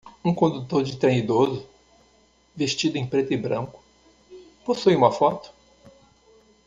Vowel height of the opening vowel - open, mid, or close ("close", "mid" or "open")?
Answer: close